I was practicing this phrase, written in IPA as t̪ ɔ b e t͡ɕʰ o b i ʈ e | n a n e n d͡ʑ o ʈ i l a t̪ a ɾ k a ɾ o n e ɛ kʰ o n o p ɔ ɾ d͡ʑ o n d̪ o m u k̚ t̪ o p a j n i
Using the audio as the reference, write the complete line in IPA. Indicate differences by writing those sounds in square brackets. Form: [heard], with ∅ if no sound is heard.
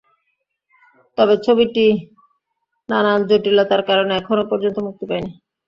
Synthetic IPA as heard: t̪ ɔ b e t͡ɕʰ o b i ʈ [i] | n a n [a] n d͡ʑ o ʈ i l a t̪ a ɾ k a ɾ o n e ɛ kʰ o n o p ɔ ɾ d͡ʑ o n [t̪] o m u k̚ t̪ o p a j n i